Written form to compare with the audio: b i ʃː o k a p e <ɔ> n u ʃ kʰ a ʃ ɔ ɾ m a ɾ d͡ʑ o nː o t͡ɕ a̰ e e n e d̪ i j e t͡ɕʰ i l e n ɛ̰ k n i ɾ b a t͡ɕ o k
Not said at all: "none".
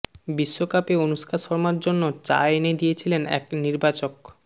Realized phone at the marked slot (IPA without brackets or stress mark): o